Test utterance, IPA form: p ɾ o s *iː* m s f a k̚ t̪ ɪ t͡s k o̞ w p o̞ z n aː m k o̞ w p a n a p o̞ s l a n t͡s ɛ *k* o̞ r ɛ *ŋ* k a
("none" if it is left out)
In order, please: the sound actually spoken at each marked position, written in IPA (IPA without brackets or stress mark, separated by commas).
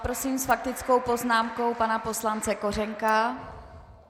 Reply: iː, k, ŋ